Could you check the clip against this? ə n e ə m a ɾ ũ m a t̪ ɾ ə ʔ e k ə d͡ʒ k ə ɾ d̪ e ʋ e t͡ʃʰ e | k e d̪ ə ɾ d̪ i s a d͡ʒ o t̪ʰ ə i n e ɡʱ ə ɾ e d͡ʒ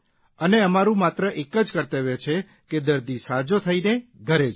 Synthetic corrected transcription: ə n e ə m a ɾ ũ m a t̪ ɾ ə ʔ e k ə d͡ʒ k ə ɾ t̪ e ʋ e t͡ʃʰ e | k e d̪ ə ɾ d̪ i s a d͡ʒ o t̪ʰ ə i n e ɡʱ ə ɾ e d͡ʒ